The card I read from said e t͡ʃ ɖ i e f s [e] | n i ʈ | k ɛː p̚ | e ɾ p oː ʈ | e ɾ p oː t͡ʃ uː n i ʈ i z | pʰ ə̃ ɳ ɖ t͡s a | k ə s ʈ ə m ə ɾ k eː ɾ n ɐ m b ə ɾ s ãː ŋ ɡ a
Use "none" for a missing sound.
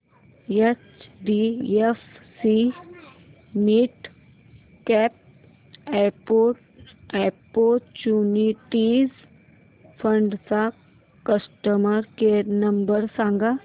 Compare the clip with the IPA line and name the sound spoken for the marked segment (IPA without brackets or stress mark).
i